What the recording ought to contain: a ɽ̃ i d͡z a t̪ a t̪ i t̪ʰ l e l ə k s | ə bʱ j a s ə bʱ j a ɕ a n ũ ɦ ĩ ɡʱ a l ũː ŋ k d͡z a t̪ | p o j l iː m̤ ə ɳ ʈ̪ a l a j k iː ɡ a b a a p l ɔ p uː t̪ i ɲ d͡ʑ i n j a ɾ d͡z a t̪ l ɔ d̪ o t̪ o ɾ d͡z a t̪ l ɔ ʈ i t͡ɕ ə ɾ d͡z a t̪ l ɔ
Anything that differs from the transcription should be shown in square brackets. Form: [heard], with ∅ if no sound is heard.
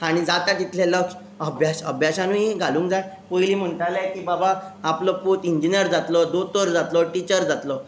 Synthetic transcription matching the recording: a ɽ̃ i d͡z a t̪ a t̪ i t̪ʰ l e l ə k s | ə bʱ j a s ə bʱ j a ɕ a n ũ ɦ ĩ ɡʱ a l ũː ŋ k d͡z a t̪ | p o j l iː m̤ ə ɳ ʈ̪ a l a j k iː [b] a b a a p l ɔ p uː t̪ i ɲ d͡ʑ i n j [ə] ɾ d͡z a t̪ l ɔ d̪ o t̪ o ɾ d͡z a t̪ l ɔ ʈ i t͡ɕ ə ɾ d͡z a t̪ l ɔ